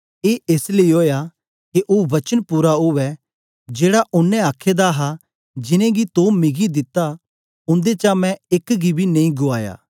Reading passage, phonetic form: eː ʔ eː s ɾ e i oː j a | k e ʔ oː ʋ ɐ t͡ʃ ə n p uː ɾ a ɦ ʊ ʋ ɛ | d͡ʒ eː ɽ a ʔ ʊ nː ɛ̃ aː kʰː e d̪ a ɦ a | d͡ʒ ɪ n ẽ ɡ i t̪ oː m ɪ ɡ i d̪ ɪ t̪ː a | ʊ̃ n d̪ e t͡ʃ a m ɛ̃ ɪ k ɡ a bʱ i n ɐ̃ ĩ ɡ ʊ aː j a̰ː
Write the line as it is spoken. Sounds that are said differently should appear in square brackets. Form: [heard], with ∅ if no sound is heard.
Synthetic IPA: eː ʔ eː s [l] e i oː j a | k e ʔ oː ʋ ɐ t͡ʃ ə n p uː ɾ a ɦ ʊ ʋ ɛ | d͡ʒ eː ɽ a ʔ ʊ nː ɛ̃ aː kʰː e d̪ a ɦ a | d͡ʒ ɪ n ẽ ɡ i t̪ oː m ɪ ɡ i d̪ ɪ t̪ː a | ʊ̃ n d̪ e t͡ʃ a m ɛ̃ ɪ k ɡ [i] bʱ i n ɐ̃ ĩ ɡ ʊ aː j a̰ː